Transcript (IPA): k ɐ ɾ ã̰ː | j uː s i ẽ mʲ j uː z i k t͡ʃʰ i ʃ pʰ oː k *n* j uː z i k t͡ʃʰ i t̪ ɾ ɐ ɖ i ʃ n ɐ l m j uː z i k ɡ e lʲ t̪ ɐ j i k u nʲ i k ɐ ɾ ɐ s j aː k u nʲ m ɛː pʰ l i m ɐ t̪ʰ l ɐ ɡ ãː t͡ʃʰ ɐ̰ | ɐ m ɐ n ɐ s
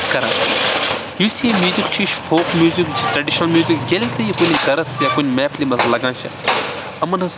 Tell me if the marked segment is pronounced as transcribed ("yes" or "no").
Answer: no